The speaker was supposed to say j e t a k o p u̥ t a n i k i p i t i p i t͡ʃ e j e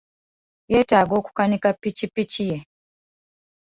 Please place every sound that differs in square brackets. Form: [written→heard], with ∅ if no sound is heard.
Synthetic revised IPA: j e t a [k→ɡ] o [p→k] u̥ [t→k] a n i k [i→a] p i [t→t͡ʃ] i p i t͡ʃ [e→i] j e

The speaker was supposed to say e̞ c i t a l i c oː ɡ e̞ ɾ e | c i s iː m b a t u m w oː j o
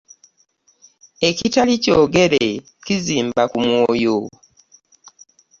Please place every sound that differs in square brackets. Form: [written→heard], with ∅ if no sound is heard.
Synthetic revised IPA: e̞ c i t a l i c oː ɡ e̞ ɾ e | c i [s→z] iː m b a [t→k] u m w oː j o

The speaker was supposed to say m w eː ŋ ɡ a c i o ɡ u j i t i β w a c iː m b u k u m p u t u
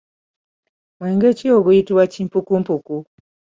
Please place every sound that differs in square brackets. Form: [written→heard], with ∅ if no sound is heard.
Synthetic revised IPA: m w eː ŋ ɡ [a→e] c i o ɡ u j i t i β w a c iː m [b→p] u k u m p u [t→k] u

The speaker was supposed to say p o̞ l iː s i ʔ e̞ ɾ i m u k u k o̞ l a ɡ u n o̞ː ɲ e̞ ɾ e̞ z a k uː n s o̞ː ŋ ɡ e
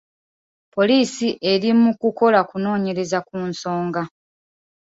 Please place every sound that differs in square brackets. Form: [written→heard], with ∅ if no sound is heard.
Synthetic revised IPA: p o̞ l iː s i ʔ e̞ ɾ i m u k u k o̞ l a [ɡ→k] u n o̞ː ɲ e̞ ɾ e̞ z a k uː n s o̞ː ŋ ɡ [e→a]

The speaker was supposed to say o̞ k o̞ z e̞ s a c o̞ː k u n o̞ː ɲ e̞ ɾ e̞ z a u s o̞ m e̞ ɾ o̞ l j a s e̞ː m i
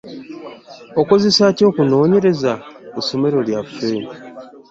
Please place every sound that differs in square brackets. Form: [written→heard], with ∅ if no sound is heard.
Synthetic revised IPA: o̞ k o̞ z e̞ s a c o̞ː k u n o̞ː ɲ e̞ ɾ e̞ z a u s o̞ m e̞ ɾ o̞ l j a [s→f] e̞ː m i

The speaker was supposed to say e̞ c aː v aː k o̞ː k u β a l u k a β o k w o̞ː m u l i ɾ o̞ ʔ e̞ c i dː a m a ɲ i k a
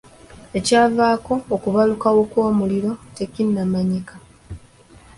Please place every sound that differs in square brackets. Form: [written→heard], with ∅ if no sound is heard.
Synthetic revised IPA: e̞ c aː v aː k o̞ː k u β a l u k a [β→w] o k w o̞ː m u l i ɾ o̞ [ʔ→t] e̞ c i [dː→nː] a m a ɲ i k a

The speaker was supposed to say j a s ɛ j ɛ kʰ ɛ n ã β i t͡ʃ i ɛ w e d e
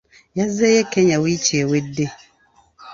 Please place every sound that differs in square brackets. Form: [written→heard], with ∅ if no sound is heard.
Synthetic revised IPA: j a [s→z] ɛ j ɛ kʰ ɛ [n→ɲ] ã [β→w] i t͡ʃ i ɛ w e d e

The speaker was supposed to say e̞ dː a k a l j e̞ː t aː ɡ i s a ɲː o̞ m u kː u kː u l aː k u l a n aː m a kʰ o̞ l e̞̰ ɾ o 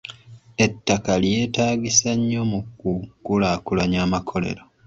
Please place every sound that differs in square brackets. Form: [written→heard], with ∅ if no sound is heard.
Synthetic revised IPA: e̞ [dː→tː] a k a l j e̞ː t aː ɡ i s a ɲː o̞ m u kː u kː u l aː k u l a [n→ɲ] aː m a kʰ o̞ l e̞̰ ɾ o

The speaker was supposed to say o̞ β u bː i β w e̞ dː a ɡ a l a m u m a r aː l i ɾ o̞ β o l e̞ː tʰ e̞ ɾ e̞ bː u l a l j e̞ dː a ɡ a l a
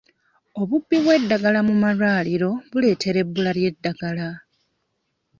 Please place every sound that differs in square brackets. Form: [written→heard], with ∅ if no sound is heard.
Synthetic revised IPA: o̞ β u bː i β w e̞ dː a ɡ a l a m u m a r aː l i ɾ o̞ β [o→u] l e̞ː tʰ e̞ ɾ e̞ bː u l a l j e̞ dː a ɡ a l a

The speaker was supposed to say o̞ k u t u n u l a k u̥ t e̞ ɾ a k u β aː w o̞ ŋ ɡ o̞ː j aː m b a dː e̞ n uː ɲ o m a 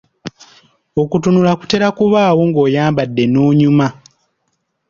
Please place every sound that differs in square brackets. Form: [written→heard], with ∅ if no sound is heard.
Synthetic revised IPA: o̞ k u t u n u l a k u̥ t e̞ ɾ a k u β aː w o̞ ŋ ɡ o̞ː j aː m b a dː e̞ n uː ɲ [o→u] m a

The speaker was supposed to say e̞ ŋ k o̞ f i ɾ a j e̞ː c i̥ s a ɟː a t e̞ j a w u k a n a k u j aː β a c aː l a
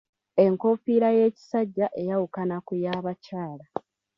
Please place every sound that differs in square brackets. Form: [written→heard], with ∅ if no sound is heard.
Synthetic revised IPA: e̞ ŋ k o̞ f i ɾ a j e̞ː c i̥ s a ɟː a [t→ʔ] e̞ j a w u k a n a k u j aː β a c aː l a

